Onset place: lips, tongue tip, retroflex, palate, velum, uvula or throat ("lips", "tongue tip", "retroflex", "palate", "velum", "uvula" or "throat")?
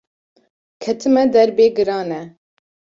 velum